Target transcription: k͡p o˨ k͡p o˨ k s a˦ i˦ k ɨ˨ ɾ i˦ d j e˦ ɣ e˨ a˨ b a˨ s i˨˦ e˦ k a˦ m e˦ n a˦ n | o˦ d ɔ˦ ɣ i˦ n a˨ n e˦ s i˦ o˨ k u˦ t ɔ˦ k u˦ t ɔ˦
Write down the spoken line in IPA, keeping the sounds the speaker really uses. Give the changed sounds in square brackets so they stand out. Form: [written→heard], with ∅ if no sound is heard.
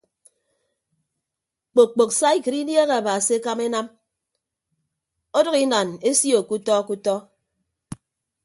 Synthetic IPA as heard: k͡p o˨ k͡p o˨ k s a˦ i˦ k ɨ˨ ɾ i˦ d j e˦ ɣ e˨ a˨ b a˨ s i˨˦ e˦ k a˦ m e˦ n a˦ [n→m] | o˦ d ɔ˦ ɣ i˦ n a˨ n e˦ s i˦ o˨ k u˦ t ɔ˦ k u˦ t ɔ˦